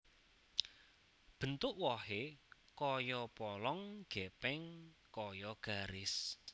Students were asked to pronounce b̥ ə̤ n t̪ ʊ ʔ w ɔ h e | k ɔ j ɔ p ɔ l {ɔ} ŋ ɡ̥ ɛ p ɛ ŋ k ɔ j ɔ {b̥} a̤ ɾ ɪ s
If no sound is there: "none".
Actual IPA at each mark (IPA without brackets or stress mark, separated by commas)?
ɔ, ɡ̥